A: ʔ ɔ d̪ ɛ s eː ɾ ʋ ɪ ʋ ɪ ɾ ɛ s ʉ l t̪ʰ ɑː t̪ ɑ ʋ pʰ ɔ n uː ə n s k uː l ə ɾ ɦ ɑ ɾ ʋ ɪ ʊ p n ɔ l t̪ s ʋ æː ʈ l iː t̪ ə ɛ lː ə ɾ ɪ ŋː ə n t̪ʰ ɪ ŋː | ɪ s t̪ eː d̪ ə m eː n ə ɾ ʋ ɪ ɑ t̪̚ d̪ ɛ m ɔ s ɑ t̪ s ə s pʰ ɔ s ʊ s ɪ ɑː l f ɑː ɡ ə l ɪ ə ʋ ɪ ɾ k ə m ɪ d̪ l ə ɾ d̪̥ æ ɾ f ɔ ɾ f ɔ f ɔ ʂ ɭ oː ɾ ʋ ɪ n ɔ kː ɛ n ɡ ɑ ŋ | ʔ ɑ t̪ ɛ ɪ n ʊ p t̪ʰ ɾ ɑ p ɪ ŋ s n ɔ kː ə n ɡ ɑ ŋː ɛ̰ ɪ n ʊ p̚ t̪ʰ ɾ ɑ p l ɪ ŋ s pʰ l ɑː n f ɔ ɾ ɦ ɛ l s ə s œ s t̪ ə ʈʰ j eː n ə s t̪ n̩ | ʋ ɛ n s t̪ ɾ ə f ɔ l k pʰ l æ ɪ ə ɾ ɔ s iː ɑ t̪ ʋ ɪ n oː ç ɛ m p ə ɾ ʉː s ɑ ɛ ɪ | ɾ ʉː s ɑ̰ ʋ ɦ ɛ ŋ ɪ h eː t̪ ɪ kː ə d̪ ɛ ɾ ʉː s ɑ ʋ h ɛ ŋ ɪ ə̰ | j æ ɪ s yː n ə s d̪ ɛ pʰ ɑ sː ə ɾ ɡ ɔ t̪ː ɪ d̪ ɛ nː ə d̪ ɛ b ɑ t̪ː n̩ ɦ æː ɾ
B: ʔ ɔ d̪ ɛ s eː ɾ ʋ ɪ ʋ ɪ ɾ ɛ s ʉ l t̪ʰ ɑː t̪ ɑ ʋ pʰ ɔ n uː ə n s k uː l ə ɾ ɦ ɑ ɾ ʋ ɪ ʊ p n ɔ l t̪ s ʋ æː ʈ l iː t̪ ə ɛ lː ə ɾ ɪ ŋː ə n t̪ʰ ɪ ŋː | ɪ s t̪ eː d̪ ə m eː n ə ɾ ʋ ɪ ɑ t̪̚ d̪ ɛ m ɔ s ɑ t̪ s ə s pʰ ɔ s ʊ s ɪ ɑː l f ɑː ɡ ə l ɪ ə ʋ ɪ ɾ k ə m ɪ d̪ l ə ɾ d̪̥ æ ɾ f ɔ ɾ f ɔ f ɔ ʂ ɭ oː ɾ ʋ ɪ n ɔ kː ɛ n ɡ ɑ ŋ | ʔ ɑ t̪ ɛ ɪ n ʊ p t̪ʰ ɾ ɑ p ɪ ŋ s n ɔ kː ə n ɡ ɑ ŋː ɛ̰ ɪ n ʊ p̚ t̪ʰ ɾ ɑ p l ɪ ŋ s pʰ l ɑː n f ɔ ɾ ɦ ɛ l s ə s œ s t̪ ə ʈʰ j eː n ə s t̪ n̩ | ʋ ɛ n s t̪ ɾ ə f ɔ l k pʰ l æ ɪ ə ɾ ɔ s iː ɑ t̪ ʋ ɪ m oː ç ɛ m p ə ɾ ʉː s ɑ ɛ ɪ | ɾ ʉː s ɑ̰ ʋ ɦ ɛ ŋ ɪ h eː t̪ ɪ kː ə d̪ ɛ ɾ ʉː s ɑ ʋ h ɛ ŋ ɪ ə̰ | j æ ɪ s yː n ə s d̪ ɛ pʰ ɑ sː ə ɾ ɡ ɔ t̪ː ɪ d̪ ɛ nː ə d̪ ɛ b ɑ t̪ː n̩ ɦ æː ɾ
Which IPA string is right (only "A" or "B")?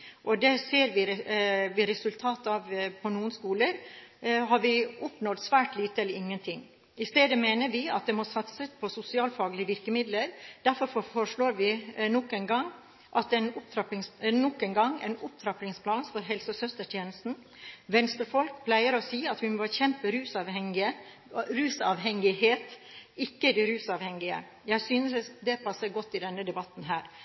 B